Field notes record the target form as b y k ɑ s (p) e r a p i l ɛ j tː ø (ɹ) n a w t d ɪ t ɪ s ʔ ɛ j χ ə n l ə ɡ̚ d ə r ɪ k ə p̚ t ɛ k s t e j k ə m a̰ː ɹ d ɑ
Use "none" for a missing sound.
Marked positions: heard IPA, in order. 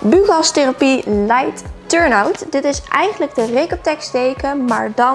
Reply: t, ɹ

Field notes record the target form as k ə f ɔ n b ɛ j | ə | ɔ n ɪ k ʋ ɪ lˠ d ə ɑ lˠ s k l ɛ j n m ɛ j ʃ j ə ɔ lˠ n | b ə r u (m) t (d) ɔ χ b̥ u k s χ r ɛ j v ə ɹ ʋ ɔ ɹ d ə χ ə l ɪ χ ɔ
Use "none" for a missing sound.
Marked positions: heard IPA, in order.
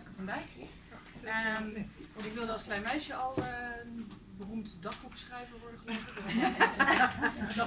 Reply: m, d

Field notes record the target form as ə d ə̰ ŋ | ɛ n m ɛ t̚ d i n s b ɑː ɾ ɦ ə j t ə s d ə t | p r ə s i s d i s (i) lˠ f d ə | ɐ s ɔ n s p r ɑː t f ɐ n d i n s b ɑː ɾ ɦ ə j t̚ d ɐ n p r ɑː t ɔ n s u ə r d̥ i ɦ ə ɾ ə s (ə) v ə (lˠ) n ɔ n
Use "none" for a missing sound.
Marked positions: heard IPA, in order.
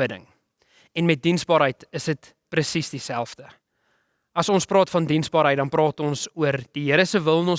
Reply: æ, ə, lˠ

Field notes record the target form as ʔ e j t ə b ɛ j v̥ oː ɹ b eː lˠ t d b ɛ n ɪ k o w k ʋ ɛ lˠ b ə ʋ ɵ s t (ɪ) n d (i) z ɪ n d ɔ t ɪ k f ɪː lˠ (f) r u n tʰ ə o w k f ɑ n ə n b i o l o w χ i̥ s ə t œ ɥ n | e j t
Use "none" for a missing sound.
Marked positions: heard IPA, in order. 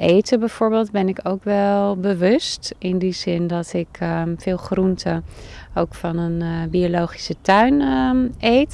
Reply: ɪ, i, χ

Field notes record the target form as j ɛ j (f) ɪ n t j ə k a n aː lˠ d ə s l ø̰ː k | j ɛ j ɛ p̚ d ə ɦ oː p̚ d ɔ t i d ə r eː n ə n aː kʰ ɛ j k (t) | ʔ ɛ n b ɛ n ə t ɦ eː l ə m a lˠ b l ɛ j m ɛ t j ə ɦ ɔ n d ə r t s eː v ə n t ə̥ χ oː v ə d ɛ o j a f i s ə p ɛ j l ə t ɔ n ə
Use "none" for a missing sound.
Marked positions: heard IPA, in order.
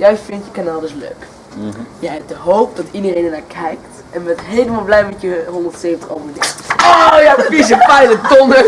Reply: f, t

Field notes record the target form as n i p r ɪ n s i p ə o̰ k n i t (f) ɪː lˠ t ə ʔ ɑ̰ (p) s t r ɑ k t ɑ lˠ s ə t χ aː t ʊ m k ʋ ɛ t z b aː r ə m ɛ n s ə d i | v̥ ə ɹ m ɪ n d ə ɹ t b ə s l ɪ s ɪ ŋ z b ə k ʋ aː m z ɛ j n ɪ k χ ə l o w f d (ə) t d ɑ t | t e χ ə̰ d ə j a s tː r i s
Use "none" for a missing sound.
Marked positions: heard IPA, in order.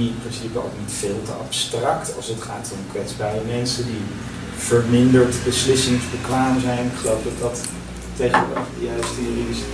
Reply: f, p, ɑ

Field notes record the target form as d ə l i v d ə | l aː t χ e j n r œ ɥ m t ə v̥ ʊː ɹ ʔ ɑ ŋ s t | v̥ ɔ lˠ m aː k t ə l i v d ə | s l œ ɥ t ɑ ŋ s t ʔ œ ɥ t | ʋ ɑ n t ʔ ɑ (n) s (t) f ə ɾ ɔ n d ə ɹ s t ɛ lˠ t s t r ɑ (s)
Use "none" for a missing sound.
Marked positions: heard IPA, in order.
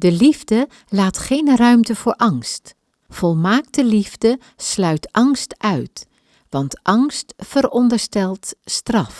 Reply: ŋ, t, f

